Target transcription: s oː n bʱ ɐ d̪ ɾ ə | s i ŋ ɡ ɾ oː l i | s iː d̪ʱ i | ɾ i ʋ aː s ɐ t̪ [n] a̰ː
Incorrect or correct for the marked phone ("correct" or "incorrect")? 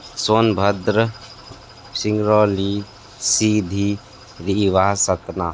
correct